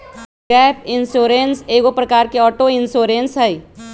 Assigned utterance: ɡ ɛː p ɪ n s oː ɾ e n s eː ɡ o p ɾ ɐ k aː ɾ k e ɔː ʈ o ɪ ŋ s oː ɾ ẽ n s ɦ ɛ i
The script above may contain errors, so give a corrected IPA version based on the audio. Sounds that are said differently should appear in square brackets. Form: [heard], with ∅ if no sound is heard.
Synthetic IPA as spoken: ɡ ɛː p ɪ n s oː ɾ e n s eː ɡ o p ɾ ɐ k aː ɾ k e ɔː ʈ o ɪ [n] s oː ɾ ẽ n s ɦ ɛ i